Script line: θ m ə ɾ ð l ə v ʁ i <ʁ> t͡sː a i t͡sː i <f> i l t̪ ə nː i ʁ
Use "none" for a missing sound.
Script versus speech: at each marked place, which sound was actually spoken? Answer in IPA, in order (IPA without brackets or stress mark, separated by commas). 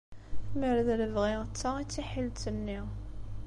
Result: ʁ, ħ